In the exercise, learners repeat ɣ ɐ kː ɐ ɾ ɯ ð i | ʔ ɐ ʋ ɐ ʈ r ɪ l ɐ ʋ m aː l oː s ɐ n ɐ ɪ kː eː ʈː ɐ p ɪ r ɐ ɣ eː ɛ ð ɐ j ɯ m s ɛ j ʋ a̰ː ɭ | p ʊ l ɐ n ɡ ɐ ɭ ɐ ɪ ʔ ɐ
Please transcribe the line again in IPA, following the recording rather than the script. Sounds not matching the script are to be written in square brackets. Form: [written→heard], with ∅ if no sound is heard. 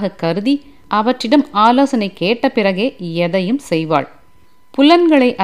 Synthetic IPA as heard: ɣ ɐ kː ɐ ɾ ɯ ð i | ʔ ɐ ʋ ɐ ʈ r ɪ [l→ɽ] ɐ [ʋ→∅] m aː l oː s ɐ n ɐ ɪ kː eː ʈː ɐ p ɪ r ɐ ɣ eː ɛ ð ɐ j ɯ m s ɛ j ʋ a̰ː ɭ | p ʊ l ɐ n ɡ ɐ ɭ ɐ ɪ ʔ ɐ